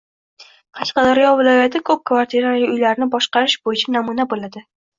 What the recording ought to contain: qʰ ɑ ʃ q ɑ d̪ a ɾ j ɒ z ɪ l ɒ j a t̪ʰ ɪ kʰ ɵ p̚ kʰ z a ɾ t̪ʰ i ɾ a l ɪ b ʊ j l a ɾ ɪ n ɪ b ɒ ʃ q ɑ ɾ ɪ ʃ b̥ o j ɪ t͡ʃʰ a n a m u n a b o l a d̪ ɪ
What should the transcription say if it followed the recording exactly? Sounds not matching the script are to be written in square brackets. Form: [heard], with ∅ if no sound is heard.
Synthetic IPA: qʰ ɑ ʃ q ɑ d̪ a ɾ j ɒ [v] ɪ l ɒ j a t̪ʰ ɪ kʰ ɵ p̚ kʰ [v] a ɾ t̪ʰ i ɾ a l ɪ [∅] ʊ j l a ɾ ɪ n ɪ b ɒ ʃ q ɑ ɾ ɪ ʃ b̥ o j ɪ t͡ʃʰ a n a m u n a b o l a d̪ ɪ